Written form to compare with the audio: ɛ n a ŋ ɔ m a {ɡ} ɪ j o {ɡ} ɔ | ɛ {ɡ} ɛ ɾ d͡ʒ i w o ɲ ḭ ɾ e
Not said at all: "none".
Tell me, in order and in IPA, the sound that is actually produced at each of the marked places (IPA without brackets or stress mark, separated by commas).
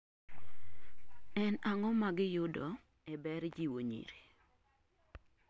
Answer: ɡ, d, b